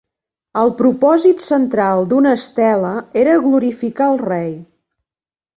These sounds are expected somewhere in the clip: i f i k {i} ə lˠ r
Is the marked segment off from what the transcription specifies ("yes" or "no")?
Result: yes